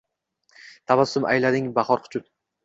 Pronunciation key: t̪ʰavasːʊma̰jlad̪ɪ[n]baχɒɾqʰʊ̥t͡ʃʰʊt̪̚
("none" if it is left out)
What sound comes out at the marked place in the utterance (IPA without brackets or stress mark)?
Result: ŋ